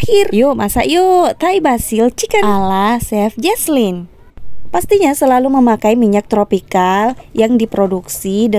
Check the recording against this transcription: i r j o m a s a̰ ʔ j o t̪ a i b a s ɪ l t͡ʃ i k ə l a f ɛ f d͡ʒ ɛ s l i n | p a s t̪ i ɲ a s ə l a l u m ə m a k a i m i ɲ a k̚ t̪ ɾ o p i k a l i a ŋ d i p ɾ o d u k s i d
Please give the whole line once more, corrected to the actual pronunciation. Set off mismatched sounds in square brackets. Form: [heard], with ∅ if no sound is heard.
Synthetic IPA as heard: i r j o m a s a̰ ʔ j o t̪ a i b a s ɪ l t͡ʃ i k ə l a [s] ɛ f d͡ʒ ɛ s l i n | p a s t̪ i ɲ a s ə l a l u m ə m a k a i m i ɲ a k̚ t̪ ɾ o p i k a l [j] a ŋ d i p ɾ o d u k s i d